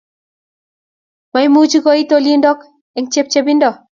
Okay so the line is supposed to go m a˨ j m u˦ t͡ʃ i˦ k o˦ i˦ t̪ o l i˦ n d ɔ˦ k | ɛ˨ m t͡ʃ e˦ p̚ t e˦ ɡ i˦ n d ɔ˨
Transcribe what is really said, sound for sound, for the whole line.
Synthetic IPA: m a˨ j m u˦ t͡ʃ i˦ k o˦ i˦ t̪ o l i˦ n d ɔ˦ k | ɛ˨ ŋ t͡ʃ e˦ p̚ t͡ʃ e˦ b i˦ n d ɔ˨